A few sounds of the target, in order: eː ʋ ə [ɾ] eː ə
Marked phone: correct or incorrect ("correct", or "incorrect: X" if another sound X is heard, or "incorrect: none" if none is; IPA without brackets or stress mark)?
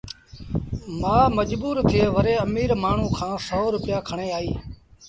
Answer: correct